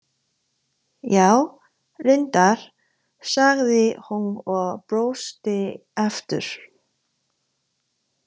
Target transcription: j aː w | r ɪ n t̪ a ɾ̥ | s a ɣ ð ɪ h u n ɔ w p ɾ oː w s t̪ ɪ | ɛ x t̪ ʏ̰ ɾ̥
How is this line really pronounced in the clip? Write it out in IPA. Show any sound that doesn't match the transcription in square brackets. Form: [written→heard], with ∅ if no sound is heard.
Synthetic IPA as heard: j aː w | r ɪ n t̪ a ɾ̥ | s a ɣ ð ɪ h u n ɔ [w→ɣ] p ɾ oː w s t̪ ɪ | ɛ [x→f] t̪ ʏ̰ ɾ̥